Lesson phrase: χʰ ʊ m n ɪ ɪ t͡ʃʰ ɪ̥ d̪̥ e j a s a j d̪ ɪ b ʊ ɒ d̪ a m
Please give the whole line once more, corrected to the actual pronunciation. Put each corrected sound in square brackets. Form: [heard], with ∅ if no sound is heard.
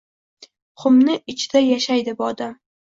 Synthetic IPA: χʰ ʊ m n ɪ ɪ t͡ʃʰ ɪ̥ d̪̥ [a] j a [ʃ] a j d̪ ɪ b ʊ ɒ d̪ a m